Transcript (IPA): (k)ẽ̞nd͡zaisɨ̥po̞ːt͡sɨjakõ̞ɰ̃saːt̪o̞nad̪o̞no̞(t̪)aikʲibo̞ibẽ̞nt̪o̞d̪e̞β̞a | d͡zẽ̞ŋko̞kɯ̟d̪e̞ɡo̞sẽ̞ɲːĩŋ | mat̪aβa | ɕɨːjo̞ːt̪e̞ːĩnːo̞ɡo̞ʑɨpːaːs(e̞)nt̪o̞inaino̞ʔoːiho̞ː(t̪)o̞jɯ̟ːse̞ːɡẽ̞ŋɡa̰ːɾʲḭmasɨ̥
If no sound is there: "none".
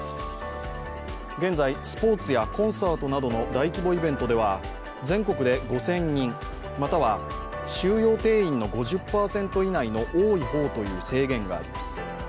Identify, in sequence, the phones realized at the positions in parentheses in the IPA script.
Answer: ɡ, d̪, ẽ̞, t̪

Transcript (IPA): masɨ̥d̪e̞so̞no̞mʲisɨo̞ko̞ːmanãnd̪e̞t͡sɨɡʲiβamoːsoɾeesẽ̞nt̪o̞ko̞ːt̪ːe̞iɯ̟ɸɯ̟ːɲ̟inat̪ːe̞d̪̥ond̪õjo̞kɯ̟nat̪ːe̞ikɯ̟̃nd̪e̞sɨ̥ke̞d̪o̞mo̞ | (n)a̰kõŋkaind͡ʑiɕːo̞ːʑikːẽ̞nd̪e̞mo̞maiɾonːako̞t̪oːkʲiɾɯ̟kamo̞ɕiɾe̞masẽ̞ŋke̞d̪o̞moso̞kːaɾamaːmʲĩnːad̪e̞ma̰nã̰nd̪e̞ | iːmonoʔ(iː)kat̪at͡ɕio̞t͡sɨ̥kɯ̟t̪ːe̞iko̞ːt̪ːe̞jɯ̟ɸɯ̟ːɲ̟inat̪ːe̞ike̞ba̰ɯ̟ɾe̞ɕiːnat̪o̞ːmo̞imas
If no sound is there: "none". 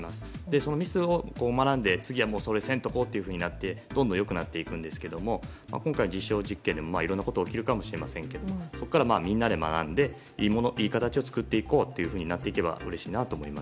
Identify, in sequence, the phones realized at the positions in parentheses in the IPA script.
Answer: m, iː

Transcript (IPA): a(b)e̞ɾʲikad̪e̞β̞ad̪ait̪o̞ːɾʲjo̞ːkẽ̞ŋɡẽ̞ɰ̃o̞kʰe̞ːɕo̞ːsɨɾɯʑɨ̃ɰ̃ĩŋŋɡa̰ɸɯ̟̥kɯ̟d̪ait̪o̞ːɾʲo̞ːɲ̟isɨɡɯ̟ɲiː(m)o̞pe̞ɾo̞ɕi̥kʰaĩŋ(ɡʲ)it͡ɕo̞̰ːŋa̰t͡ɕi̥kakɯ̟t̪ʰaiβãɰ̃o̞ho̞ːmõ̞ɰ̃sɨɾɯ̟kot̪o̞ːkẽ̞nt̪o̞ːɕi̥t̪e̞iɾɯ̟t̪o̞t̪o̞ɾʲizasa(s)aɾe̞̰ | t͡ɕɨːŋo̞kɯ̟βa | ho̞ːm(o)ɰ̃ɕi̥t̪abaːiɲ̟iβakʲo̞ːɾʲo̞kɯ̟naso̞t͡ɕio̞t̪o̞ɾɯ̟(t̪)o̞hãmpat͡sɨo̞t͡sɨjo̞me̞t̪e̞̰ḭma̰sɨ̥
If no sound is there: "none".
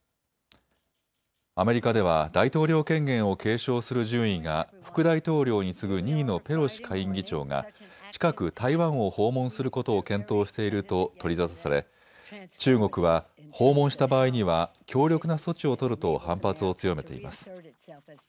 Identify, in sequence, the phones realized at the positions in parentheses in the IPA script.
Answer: m, n, ɡʲ, s, õ, t̪

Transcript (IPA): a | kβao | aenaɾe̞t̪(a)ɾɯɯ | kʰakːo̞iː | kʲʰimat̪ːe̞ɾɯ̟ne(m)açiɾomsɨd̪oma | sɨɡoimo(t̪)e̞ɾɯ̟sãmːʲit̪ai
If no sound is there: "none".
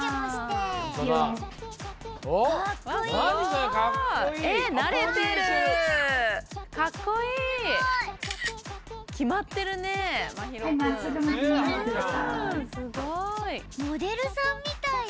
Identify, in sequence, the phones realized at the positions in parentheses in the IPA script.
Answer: e, m, d̪

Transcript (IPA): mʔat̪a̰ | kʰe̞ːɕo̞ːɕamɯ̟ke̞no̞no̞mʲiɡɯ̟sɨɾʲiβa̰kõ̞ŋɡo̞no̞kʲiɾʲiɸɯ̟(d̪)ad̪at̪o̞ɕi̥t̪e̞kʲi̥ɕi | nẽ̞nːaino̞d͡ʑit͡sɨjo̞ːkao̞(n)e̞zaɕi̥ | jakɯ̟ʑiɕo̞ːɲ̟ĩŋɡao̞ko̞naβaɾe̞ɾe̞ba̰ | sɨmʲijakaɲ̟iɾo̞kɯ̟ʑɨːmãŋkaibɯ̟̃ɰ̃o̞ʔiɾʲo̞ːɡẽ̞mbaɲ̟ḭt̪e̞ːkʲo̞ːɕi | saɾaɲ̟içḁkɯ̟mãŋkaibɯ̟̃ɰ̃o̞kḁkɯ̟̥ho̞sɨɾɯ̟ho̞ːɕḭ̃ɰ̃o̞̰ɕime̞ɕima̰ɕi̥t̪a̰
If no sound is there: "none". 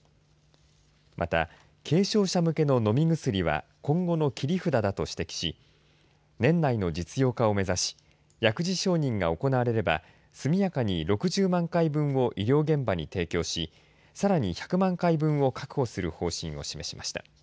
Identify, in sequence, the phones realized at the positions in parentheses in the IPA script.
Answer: d̪, m

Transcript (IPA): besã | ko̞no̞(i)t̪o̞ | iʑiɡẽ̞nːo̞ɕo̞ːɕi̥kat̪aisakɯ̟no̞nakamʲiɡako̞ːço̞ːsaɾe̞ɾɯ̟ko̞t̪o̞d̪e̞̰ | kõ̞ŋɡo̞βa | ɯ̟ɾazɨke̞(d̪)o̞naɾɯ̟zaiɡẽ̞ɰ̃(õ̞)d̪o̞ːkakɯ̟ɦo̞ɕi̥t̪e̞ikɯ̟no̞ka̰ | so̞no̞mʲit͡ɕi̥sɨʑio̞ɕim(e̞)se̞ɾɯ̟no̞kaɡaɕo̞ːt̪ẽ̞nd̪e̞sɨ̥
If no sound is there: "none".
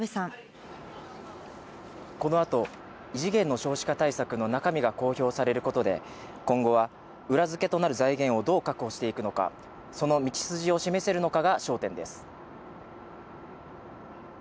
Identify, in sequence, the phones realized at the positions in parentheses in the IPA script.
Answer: a, t̪, o̞, e̞

